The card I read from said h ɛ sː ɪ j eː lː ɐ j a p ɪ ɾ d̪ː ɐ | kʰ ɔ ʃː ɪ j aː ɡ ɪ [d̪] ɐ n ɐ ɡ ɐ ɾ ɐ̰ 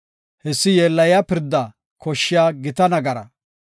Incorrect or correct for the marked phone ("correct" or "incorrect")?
incorrect